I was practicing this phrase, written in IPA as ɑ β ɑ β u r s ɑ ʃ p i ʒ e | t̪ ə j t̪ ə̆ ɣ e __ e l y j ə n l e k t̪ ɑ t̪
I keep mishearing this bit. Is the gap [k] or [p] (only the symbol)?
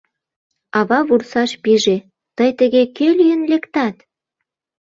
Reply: k